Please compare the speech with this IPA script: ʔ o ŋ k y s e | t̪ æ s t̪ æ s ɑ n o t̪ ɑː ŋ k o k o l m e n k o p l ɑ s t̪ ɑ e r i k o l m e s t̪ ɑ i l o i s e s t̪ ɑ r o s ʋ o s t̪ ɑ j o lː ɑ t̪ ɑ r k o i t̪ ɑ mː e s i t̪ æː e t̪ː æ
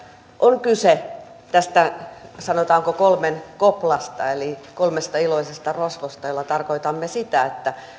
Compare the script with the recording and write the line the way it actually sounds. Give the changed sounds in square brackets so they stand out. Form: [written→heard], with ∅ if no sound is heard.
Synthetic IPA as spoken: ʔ o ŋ k y s e | t̪ æ s t̪ æ s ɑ n o t̪ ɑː ŋ k o k o l m e n k o p l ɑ s t̪ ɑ e [r→l] i k o l m e s t̪ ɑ i l o i s e s t̪ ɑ r o s ʋ o s t̪ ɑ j o lː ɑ t̪ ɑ r k o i t̪ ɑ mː e s i t̪ [æː→æ] e t̪ː æ